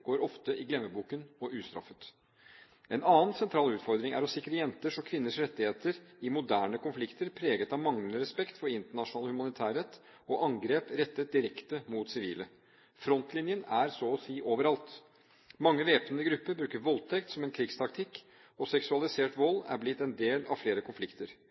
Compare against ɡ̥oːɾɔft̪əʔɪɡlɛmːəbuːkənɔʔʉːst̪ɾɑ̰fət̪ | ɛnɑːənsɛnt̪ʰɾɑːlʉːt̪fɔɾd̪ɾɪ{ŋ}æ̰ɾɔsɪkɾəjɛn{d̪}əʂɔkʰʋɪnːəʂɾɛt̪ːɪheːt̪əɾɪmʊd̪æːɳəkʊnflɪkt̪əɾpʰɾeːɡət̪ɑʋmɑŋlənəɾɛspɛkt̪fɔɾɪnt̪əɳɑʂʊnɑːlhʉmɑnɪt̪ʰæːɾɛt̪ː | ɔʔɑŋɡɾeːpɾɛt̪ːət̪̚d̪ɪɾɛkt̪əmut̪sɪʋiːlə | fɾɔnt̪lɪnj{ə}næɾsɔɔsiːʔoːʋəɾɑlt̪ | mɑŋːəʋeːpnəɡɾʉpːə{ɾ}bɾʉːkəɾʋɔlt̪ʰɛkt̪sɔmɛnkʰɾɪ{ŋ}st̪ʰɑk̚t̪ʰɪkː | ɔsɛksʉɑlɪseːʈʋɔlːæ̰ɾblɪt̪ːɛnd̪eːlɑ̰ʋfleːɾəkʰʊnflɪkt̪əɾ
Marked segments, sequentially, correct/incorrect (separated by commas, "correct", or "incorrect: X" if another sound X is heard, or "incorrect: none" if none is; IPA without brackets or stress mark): correct, incorrect: t̪, correct, correct, incorrect: ɡ